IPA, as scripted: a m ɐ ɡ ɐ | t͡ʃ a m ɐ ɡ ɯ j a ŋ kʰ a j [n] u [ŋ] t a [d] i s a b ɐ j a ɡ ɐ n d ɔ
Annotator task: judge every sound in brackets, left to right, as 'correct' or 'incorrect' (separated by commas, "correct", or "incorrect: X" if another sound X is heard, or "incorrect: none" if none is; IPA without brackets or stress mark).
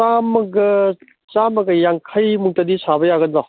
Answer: incorrect: m, correct, correct